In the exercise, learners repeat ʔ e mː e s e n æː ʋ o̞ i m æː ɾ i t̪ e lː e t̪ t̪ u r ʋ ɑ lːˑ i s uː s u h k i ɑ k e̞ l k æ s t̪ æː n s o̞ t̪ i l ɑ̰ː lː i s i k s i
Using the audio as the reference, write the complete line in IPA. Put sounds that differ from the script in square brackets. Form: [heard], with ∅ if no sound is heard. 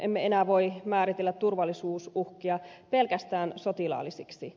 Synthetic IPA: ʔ e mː e [∅] e n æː ʋ o̞ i m æː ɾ i t̪ e lː [æ] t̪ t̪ u r ʋ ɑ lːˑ i s uː s u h k i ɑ [p] e̞ l k æ s t̪ æː n s o̞ t̪ i l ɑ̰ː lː i s i k s i

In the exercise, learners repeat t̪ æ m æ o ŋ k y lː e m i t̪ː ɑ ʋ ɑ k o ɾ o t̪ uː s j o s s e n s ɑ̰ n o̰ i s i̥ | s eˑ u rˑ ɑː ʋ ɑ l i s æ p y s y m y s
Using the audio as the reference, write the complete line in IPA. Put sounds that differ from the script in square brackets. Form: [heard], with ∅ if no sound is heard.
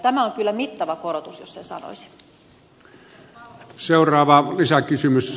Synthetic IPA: t̪ æ m æ o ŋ k y lː [æ] m i t̪ː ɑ ʋ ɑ k o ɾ o t̪ [u] s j o s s e n s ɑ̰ n o̰ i s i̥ | s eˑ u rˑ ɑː ʋ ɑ l i s æ [k] y s y m y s

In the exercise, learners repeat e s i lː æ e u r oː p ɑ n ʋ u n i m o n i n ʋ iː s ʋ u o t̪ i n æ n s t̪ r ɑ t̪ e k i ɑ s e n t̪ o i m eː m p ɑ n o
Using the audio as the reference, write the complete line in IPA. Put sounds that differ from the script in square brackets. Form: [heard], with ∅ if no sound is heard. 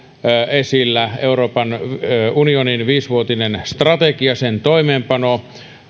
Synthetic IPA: e s i lː æ e u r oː p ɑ n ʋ u n i [∅] o n i n ʋ iː s ʋ u o t̪ i n [e] n s t̪ r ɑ t̪ e k i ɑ s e n t̪ o i m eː m p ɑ n o

